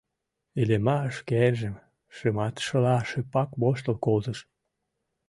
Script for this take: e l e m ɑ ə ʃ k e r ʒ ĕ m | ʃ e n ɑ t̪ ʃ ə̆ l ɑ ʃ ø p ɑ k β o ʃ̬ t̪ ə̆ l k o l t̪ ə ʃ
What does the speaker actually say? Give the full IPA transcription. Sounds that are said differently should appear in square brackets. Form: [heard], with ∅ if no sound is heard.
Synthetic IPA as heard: e l e m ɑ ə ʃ k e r ʒ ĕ m | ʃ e [m] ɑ t̪ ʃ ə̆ l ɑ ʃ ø p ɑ k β o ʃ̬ t̪ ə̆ l k o l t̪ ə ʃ

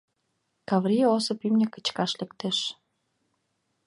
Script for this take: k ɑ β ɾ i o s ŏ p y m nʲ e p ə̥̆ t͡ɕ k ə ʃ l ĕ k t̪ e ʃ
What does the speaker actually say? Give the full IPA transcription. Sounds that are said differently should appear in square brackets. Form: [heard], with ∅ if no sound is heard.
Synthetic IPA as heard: k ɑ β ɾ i o s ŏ p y m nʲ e [k] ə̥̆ t͡ɕ k [ɑ] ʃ l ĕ k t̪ e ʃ

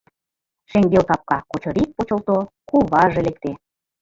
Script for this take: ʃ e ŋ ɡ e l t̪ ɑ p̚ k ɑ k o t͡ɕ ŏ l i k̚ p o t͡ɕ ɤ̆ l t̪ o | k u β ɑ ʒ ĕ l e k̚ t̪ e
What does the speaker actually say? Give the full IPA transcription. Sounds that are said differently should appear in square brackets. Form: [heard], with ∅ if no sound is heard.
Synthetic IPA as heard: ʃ e ŋ ɡ e l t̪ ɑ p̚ k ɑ k o t͡ɕ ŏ [ɾ] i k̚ p o t͡ɕ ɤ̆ l t̪ o | k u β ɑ ʒ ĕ l e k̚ t̪ e

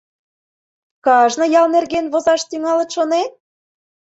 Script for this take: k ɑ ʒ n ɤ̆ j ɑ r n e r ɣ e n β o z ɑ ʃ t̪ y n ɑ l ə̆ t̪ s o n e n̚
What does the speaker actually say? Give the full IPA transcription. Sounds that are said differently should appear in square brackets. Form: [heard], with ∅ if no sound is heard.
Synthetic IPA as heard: k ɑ ʒ n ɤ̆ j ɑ [l] n e r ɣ e n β o z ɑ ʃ t̪ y [ŋ] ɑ l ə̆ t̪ [ʃ] o n e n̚

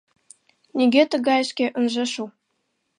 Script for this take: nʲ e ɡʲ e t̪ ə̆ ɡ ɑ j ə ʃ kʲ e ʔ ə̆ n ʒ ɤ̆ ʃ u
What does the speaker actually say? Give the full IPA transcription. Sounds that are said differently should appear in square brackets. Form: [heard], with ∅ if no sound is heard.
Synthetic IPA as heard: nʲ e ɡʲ e t̪ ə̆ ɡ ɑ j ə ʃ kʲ e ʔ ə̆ n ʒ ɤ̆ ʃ u

